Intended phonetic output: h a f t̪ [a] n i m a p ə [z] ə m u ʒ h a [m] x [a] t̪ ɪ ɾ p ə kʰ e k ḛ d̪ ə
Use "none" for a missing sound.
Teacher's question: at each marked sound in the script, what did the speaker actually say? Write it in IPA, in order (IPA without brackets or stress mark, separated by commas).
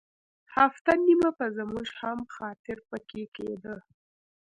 a, z, m, ɑ